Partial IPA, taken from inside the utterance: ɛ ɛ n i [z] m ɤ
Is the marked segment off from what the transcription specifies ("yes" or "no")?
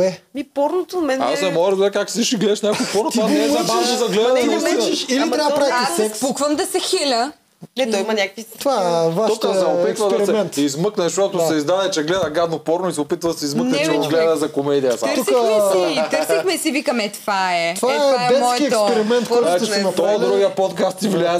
no